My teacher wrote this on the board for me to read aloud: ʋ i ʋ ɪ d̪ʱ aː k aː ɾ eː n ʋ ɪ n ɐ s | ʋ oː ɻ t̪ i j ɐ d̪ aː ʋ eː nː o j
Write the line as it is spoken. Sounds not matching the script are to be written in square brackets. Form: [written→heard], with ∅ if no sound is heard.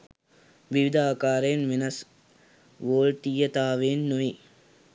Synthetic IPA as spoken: ʋ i ʋ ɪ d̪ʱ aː k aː ɾ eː n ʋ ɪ n ɐ s | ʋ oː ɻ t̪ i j ɐ [d̪→t̪] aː ʋ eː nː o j